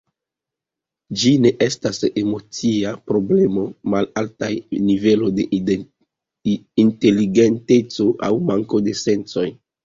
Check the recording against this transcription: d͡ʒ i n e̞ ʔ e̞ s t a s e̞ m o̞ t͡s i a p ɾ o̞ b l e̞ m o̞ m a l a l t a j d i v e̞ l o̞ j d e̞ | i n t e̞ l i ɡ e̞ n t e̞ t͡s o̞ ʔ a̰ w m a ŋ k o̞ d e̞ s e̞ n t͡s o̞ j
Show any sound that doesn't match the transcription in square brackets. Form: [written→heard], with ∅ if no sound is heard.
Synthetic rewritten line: d͡ʒ i n e̞ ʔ e̞ s t a s e̞ m o̞ t͡s i a p ɾ o̞ b l e̞ m o̞ m a l a l t a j [d→n] i v e̞ l o̞ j d e̞ | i n t e̞ l i ɡ e̞ n t e̞ t͡s o̞ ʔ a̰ w m a ŋ k o̞ d e̞ s e̞ n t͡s o̞ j